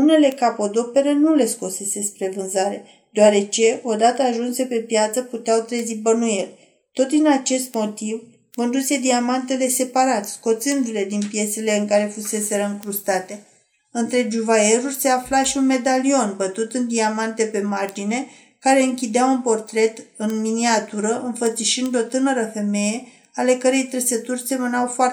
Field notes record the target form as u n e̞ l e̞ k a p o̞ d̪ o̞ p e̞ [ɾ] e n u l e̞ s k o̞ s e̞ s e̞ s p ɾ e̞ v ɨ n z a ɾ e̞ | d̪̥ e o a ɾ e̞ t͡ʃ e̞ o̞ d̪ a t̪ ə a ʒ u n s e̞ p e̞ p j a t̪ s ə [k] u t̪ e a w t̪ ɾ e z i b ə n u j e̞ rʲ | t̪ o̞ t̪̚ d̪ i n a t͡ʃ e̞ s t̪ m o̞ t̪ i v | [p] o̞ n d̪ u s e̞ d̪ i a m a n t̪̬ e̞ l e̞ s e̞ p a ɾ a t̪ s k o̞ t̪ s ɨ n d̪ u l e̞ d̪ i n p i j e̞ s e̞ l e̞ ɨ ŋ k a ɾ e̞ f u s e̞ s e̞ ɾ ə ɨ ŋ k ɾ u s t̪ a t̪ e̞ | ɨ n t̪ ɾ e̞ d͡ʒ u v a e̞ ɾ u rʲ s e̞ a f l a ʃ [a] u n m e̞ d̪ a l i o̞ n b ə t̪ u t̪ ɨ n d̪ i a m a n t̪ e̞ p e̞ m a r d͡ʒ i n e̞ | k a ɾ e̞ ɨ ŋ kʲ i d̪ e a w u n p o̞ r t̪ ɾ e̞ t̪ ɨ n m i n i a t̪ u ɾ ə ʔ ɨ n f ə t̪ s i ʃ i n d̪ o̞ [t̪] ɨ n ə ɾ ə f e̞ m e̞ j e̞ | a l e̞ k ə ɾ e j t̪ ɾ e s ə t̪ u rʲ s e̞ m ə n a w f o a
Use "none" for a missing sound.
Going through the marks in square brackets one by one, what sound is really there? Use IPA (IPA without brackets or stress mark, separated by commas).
ɾ, p, k, i, t̪